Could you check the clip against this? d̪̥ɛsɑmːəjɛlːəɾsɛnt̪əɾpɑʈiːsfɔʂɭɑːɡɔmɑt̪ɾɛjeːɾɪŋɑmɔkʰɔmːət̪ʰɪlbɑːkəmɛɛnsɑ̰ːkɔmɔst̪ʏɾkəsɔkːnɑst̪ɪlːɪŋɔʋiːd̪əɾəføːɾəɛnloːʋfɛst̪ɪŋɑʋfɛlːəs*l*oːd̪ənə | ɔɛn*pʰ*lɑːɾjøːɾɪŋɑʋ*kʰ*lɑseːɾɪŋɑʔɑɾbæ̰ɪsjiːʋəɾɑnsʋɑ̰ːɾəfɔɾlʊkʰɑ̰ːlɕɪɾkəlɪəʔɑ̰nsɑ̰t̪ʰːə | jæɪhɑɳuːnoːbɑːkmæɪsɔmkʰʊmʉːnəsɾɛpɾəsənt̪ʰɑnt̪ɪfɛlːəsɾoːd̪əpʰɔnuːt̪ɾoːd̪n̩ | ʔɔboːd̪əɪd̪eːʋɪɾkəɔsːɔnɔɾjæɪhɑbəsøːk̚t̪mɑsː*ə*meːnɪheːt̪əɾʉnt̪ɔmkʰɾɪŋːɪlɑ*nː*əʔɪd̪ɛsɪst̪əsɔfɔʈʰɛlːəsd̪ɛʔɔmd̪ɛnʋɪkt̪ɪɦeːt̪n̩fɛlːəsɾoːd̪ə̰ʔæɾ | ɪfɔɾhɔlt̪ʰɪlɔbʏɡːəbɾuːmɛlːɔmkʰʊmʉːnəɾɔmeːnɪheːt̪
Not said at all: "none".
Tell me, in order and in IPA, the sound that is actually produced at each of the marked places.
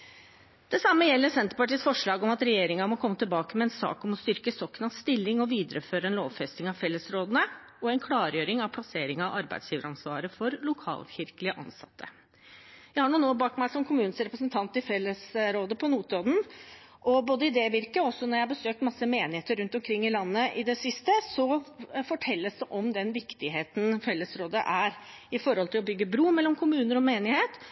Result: ɾ, kʰ, pʰ, ə, nː

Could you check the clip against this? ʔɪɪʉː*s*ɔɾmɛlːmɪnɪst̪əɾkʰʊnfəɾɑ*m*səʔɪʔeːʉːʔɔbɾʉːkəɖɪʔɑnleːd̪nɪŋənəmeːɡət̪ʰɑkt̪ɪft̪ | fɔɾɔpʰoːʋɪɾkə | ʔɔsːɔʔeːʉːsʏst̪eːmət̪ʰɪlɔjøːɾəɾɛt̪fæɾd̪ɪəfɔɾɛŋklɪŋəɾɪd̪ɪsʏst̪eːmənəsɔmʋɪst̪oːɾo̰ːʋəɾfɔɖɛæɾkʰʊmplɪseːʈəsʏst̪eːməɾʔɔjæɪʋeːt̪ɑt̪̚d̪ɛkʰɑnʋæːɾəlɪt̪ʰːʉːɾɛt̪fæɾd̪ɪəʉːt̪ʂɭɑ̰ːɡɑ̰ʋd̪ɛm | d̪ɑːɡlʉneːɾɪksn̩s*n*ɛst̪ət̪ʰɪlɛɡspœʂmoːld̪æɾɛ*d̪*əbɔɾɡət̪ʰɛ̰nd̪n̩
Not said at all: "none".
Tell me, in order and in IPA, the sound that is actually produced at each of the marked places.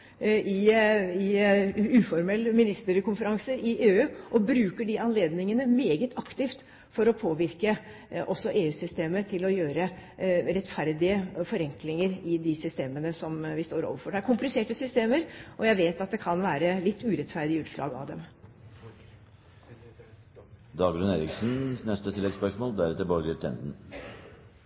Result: f, ŋ, n, t̪

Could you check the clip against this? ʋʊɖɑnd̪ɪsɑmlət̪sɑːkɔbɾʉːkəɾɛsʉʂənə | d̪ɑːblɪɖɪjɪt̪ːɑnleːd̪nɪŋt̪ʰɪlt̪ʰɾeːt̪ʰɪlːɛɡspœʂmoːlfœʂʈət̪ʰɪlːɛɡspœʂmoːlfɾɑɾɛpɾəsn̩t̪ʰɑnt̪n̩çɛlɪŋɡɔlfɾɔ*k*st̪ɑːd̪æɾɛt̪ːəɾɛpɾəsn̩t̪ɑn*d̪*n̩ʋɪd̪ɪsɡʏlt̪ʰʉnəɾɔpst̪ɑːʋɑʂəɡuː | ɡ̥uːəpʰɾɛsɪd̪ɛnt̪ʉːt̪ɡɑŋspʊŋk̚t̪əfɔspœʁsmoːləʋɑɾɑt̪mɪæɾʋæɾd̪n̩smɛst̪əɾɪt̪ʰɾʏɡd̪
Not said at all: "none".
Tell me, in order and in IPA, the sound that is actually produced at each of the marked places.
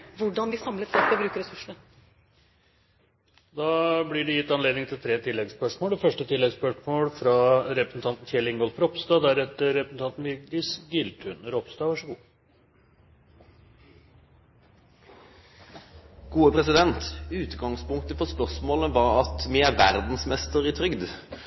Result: p, t̪

